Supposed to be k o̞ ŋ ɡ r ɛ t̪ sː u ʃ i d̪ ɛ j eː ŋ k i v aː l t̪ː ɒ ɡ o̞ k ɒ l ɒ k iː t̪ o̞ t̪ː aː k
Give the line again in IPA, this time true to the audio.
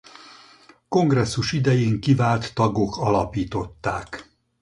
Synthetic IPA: k o̞ ŋ ɡ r ɛ sː u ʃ i d̪ ɛ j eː ŋ k i v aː l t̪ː ɒ ɡ o̞ k ɒ l ɒ p iː t̪ o̞ t̪ː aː k

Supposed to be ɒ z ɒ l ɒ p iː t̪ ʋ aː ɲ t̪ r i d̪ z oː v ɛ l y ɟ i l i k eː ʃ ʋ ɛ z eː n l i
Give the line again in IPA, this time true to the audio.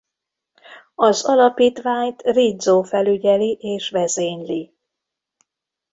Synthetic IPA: ɒ z ɒ l ɒ p iː t̪ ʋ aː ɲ t̪ r i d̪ z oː f ɛ l y ɟ ɛ l i ʔ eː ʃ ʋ ɛ z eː ɲ l i

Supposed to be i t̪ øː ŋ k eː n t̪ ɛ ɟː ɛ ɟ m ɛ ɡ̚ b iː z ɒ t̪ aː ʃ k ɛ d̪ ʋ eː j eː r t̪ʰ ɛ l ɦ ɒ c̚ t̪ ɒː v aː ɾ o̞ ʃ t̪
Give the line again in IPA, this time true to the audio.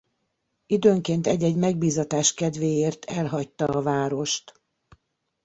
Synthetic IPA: i d̪ øː ŋ k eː n t̪ ɛ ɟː ɛ ɟ m ɛ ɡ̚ b iː z ɒ t̪ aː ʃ k ɛ d̪ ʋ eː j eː r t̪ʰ ɛ l ɦ ɒ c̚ t̪ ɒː v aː ɾ o̞ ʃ t̪

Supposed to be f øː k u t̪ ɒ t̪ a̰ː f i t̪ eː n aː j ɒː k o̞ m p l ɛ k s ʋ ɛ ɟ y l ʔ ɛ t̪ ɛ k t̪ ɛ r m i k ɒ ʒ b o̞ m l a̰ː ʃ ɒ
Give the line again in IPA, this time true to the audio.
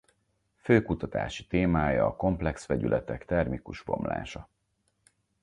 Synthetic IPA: f øː k u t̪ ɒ t̪ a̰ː ʃ i t̪ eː m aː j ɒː k o̞ m p l ɛ k s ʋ ɛ ɟ y l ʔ ɛ t̪ ɛ k t̪ ɛ r m i k u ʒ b o̞ m l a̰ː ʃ ɒ

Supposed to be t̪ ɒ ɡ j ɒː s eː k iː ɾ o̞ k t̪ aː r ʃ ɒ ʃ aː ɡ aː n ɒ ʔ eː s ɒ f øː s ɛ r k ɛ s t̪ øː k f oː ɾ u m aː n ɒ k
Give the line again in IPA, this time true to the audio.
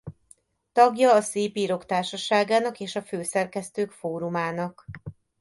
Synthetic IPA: t̪ ɒ ɡ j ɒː s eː p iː ɾ o̞ k t̪ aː r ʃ ɒ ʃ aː ɡ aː n ɒ k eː ʃ ɒ f øː s ɛ r k ɛ s t̪ øː k f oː ɾ u m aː n ɒ k

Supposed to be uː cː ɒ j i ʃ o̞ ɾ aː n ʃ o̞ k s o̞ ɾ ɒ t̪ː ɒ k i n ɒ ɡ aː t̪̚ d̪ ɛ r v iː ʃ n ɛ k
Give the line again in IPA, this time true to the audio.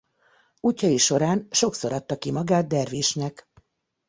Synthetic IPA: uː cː ɒ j i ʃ o̞ ɾ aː n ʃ o̞ k s o̞ ɾ ɒ t̪ː ɒ k i m ɒ ɡ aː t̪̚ d̪ ɛ r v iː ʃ n ɛ k

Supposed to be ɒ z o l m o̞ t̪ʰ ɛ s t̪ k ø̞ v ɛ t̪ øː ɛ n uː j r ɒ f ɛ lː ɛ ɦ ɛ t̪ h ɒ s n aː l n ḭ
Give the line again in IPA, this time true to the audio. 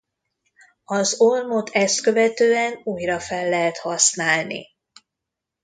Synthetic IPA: ɒ z o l m o̞ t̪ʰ ɛ s t̪ k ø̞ v ɛ t̪ øː ɛ n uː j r ɒ f ɛ lː ɛ ɦ ɛ t̪ h ɒ s n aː l n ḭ

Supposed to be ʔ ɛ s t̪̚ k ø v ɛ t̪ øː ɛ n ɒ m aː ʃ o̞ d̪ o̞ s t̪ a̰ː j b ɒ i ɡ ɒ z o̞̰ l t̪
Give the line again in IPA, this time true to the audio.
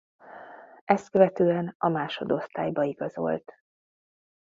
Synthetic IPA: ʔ ɛ s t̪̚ k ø v ɛ t̪ øː ɛ n ɒ m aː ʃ o̞ d̪ o̞ s t̪ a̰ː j b ɒ i ɡ ɒ z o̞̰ l t̪

